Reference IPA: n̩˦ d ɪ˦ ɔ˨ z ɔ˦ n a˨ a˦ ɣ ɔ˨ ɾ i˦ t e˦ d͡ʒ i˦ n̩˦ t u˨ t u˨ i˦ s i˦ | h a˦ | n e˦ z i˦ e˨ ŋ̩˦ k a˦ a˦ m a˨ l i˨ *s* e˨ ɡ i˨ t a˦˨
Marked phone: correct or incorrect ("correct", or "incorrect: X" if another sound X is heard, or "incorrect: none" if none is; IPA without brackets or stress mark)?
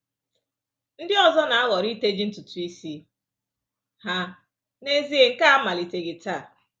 incorrect: t